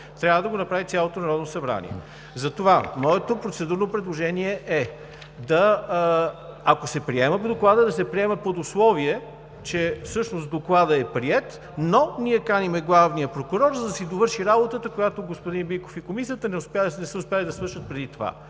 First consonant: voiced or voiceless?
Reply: voiceless